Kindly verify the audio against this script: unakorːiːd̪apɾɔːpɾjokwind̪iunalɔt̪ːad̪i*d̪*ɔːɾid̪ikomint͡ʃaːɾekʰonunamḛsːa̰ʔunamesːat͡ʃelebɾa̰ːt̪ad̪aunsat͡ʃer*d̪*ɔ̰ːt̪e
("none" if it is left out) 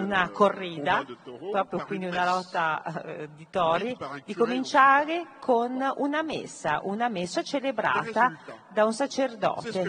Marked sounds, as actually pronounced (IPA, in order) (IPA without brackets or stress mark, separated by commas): t̪, d̪